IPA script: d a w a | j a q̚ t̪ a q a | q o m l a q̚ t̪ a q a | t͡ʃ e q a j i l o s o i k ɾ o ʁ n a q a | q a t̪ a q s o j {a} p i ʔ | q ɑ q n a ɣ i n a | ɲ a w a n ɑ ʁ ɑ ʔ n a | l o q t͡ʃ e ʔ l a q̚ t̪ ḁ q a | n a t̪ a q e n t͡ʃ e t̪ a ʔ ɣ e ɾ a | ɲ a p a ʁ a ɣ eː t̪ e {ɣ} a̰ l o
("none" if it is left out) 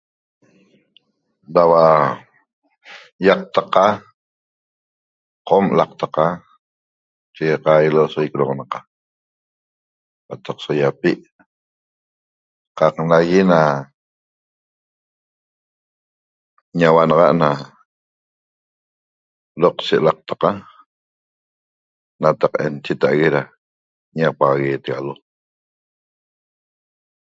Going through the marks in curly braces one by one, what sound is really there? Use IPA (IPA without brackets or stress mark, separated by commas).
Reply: a, ɣ